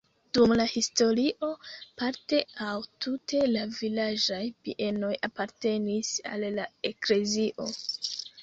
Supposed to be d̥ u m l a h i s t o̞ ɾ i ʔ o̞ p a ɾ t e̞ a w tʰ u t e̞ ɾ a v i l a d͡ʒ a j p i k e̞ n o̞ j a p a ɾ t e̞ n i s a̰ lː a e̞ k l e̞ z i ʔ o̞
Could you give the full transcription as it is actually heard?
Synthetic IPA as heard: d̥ u m l a h i s t o̞ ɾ i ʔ o̞ p a ɾ t e̞ a w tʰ u t e̞ l a v i l a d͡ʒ a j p i ʔ e̞ n o̞ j a p a ɾ t e̞ n i s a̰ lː a e̞ k l e̞ z i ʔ o̞